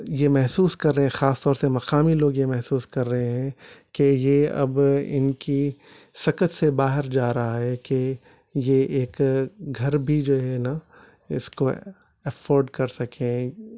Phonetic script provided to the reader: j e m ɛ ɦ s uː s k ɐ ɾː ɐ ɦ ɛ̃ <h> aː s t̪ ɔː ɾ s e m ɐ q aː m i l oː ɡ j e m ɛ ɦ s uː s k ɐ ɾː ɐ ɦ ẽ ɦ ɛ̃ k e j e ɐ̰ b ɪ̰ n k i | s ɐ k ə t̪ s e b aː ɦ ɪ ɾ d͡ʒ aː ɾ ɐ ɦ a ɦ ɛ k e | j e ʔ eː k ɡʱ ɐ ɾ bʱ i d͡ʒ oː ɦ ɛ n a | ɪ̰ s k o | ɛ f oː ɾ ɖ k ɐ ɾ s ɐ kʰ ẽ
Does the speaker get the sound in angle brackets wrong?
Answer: yes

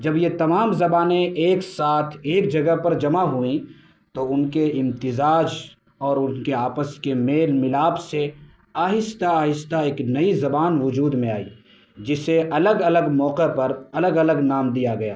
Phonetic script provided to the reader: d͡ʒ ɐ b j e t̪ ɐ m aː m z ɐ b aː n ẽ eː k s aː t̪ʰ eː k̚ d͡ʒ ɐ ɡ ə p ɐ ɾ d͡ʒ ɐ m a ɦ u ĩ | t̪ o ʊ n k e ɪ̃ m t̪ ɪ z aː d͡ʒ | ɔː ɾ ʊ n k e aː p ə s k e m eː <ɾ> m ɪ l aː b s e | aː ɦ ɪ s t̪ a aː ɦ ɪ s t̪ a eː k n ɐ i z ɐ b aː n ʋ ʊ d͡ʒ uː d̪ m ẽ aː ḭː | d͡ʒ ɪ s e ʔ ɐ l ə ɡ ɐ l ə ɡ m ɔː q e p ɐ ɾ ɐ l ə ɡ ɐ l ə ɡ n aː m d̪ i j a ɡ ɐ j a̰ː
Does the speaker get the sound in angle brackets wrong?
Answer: yes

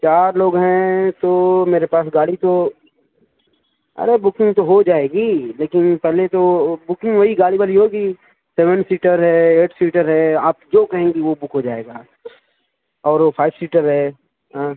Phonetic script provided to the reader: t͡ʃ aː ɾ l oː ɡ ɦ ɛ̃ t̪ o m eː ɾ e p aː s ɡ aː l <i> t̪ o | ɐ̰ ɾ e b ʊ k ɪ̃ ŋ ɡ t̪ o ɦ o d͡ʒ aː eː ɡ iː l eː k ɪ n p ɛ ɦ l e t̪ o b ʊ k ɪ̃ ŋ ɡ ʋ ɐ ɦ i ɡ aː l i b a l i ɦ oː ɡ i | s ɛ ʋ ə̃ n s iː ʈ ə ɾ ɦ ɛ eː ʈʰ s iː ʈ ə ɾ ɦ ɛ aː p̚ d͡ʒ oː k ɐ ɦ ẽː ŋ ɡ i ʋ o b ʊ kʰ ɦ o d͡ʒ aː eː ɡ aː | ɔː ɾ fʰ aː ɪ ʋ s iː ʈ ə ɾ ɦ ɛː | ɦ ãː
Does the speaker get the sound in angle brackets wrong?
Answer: no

